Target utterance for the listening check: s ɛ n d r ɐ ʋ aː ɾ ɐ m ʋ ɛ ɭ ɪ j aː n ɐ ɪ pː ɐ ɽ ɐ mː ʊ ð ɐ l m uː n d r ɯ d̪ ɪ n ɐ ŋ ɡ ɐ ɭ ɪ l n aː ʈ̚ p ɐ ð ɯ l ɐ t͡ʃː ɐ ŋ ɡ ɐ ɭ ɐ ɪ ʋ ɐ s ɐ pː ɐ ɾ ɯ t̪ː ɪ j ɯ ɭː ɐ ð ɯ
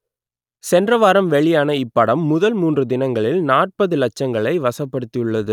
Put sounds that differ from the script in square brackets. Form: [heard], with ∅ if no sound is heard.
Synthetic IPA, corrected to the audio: s ɛ n d r ɐ ʋ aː ɾ ɐ m ʋ ɛ ɭ ɪ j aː n ɐ ɪ pː ɐ ɽ ɐ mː ʊ ð ɐ l m uː n d r ɯ d̪ ɪ n ɐ ŋ ɡ ɐ ɭ ɪ l n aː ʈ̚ p ɐ ð ɯ l ɐ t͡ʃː ɐ ŋ ɡ ɐ ɭ ɐ ɪ ʋ ɐ s ɐ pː ɐ [ɽ] ɯ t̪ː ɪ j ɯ ɭː ɐ ð ɯ